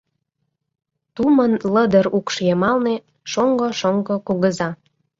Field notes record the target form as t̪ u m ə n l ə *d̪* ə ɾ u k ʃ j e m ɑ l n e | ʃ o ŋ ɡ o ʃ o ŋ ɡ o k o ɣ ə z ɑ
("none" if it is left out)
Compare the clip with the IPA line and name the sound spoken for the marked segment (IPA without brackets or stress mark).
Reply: d̪